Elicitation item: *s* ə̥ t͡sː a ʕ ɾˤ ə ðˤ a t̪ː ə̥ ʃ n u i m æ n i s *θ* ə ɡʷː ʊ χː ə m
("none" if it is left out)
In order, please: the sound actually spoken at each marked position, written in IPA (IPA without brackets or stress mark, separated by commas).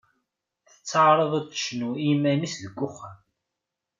θ, ð